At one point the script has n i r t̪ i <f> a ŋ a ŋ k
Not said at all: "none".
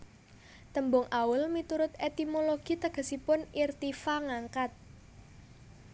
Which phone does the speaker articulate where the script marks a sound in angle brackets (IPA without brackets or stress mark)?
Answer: f